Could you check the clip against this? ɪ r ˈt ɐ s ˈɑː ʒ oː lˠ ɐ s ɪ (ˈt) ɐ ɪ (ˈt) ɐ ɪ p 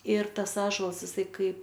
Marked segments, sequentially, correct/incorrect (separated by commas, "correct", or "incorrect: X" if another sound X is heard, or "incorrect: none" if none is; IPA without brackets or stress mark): incorrect: s, incorrect: k